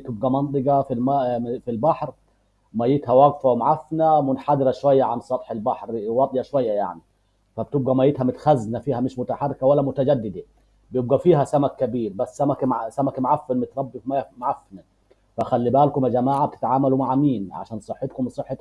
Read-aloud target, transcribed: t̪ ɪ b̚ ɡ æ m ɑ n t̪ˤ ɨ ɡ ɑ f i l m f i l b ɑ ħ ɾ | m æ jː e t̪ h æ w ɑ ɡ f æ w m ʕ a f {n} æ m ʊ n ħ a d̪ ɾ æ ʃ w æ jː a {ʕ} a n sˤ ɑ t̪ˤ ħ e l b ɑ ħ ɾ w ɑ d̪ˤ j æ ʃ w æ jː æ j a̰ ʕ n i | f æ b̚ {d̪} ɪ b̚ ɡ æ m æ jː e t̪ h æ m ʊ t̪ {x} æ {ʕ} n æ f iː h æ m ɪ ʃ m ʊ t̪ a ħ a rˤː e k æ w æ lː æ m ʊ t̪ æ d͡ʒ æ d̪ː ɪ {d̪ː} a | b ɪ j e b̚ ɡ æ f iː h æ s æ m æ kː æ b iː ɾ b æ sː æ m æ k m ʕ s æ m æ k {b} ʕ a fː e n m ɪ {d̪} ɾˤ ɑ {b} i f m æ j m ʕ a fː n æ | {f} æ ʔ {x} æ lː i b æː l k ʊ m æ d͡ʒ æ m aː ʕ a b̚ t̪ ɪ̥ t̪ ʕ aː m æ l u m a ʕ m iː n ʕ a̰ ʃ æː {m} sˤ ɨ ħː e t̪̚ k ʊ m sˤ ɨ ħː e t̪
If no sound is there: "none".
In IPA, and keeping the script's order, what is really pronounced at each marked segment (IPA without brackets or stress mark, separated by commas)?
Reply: n, ʕ, t̪, x, z, d̪, m, t̪, bː, f, x, n